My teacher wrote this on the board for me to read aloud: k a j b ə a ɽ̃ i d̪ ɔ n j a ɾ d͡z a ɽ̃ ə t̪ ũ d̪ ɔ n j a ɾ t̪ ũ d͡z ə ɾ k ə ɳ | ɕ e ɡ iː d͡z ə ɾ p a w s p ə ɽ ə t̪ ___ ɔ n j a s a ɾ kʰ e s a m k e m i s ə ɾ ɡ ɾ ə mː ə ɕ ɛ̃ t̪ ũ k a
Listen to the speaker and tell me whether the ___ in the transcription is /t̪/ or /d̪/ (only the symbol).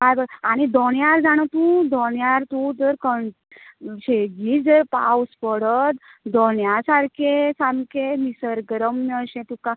d̪